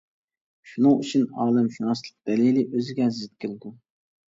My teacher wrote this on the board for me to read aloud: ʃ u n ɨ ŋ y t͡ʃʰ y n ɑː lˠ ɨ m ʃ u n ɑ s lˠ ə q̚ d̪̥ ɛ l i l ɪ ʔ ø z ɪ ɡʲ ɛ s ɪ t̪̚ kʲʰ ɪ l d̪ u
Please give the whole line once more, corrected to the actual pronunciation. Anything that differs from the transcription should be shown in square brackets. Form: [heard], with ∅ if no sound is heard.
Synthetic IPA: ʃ u n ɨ ŋ y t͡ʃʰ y n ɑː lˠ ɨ m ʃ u n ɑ s lˠ ə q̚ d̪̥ ɛ l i l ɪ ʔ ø z ɪ ɡʲ ɛ [z] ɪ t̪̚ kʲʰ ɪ l d̪ u